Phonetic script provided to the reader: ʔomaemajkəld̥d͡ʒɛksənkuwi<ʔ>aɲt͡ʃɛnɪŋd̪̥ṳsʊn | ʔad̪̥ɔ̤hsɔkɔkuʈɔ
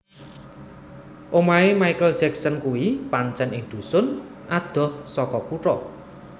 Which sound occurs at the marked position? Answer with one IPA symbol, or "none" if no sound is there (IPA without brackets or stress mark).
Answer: p